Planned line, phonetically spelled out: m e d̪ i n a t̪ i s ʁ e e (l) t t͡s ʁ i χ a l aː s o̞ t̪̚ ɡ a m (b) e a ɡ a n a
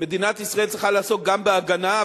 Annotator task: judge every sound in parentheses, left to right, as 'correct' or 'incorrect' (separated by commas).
correct, correct